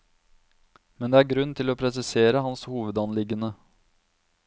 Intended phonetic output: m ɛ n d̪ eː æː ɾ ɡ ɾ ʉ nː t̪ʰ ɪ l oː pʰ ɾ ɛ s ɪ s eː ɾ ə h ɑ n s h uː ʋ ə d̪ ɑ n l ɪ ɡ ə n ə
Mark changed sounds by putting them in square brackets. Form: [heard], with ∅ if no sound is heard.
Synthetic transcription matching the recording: m ɛ n d̪ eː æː ɾ ɡ ɾ ʉ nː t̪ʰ ɪ l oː pʰ ɾ ɛ s ɪ s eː ɾ ə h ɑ n s h uː ʋ ə d̪ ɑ n l ɪ ɡ ə n ə